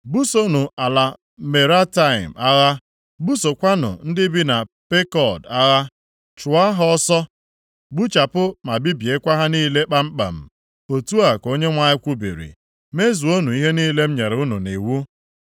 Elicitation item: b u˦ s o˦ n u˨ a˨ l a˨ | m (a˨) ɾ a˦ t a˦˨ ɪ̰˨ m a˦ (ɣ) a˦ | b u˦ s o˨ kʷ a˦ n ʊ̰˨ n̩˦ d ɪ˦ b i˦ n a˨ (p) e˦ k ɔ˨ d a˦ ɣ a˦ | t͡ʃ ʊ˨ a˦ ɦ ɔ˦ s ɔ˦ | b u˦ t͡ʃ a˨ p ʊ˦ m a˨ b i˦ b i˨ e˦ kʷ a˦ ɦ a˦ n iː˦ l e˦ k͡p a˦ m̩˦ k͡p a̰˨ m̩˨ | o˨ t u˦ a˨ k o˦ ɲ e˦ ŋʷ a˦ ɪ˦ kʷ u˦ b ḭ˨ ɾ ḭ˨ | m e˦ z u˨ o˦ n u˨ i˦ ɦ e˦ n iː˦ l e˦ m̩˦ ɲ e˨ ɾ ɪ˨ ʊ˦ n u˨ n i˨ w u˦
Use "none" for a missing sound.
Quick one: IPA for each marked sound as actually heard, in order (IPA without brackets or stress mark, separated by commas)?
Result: e˨, ɣ, p